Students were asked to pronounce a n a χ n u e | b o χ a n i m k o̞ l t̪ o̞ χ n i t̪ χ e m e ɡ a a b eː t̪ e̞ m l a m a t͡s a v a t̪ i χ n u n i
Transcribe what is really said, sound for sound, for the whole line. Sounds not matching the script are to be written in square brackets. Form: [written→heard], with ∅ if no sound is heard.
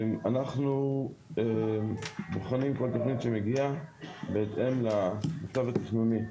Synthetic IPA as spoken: a n a χ n u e | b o χ a n i m k o̞ l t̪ o̞ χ n i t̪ [χ→ʃ] e m e ɡ [a→i] a b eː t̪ e̞ m l a m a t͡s a v a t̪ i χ n u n i